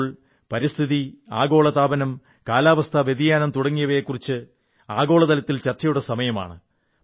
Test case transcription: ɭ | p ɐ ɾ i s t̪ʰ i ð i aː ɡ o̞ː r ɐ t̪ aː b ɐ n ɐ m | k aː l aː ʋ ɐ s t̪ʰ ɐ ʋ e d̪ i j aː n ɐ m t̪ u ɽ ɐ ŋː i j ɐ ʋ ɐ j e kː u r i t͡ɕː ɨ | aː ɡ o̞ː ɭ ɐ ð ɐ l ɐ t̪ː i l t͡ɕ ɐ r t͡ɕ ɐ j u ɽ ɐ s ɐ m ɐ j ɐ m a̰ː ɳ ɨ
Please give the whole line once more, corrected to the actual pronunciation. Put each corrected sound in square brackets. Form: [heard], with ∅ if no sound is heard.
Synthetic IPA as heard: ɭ | p ɐ ɾ i s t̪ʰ i ð i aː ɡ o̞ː [ɭ] ɐ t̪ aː b ɐ n ɐ m | k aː l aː ʋ ɐ s t̪ʰ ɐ ʋ e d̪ i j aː n ɐ m t̪ u ɽ ɐ ŋː i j ɐ ʋ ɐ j e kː u r i t͡ɕː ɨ | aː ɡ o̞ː ɭ ɐ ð ɐ l ɐ t̪ː i l t͡ɕ ɐ r t͡ɕ ɐ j u ɽ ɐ s ɐ m ɐ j ɐ m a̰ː ɳ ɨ